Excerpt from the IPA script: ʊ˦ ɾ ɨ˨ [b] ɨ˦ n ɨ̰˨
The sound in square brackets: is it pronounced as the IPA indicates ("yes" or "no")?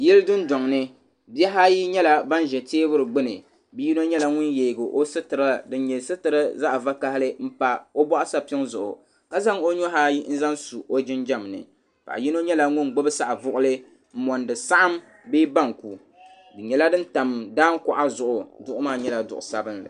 no